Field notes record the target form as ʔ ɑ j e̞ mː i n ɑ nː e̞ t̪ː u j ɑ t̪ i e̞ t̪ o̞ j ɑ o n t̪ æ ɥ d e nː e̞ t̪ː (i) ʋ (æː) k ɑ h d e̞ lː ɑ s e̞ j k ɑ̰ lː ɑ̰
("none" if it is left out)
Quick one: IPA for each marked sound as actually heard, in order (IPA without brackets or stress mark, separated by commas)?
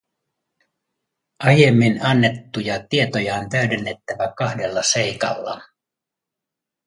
æ, æ